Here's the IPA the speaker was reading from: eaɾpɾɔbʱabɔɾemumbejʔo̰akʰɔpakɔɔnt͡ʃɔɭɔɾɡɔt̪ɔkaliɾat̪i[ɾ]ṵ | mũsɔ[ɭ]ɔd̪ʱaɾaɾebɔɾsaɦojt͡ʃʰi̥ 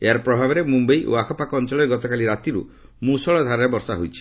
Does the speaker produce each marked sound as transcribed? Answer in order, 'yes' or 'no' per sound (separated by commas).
yes, yes